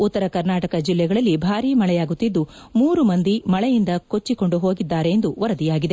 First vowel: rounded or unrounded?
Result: rounded